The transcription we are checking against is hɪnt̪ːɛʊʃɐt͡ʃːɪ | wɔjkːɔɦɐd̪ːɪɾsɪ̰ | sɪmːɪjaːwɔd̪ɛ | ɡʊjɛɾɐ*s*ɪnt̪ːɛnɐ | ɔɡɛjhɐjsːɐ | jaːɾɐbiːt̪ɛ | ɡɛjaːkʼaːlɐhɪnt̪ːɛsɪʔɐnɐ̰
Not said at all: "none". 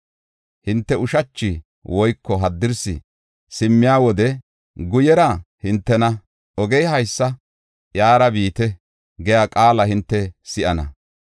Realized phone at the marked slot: h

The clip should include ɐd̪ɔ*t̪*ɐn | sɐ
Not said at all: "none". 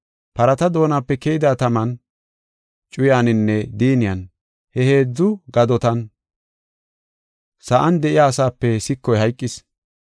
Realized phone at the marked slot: t̪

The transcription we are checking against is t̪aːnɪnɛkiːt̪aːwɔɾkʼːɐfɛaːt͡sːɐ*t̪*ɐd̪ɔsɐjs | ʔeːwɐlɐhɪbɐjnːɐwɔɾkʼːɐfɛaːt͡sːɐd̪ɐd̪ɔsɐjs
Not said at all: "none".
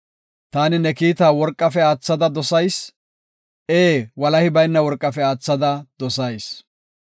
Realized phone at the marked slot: d̪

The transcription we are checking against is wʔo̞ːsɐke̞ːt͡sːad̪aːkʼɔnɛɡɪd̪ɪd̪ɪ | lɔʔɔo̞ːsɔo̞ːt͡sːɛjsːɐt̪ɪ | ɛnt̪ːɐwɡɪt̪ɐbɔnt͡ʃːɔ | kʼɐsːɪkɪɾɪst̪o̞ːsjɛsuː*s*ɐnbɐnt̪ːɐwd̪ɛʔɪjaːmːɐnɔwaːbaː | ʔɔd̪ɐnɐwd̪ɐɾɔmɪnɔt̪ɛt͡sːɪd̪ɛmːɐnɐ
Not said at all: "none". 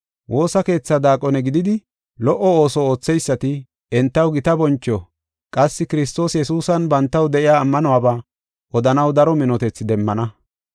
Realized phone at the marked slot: s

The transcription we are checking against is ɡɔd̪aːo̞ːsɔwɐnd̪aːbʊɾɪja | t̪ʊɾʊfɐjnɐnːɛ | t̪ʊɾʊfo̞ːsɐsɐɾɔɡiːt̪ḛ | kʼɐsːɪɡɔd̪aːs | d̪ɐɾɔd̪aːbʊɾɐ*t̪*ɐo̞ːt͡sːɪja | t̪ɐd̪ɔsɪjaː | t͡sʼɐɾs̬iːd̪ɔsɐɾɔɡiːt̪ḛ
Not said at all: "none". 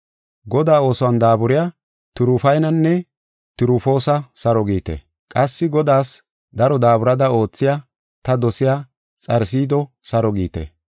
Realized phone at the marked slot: d̪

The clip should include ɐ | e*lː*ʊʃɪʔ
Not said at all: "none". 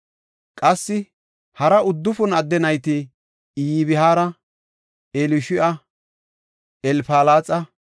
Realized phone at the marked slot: l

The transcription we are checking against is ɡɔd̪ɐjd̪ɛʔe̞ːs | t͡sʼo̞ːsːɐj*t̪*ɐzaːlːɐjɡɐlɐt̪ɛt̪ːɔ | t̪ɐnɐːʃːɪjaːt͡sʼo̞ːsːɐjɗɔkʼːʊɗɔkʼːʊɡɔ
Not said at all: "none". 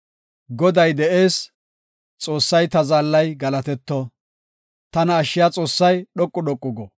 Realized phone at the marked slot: t̪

